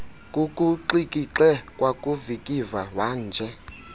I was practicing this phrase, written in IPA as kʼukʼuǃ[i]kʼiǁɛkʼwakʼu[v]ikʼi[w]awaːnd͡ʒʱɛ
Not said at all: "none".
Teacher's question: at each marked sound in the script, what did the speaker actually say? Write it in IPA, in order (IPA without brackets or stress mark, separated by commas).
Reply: i, v, v